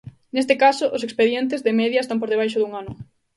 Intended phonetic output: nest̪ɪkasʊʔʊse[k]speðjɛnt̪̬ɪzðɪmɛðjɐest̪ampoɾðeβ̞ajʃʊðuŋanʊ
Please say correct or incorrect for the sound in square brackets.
correct